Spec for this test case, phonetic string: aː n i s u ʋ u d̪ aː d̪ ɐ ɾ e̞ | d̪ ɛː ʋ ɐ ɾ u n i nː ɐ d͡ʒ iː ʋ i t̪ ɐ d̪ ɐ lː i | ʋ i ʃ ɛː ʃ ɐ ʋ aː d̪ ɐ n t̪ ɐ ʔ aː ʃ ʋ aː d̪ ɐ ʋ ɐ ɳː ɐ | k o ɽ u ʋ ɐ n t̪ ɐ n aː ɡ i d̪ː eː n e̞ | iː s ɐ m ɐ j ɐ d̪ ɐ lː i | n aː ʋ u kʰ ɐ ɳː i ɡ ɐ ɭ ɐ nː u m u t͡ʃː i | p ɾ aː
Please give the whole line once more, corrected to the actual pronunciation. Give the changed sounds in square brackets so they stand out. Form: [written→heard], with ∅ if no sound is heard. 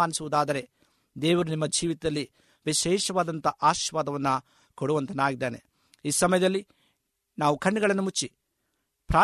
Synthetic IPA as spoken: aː n i s u ʋ u d̪ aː d̪ ɐ ɾ e̞ | d̪ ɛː ʋ ɐ ɾ u n i [nː→mː] ɐ d͡ʒ iː ʋ i t̪ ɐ d̪ ɐ lː i | ʋ i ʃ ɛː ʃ ɐ ʋ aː d̪ ɐ n t̪ ɐ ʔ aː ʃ ʋ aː d̪ ɐ ʋ ɐ [ɳː→nː] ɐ | k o ɽ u ʋ ɐ n t̪ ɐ n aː ɡ i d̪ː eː n e̞ | iː s ɐ m ɐ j ɐ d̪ ɐ lː i | n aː ʋ u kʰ ɐ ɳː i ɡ ɐ ɭ ɐ nː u m u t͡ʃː i | p ɾ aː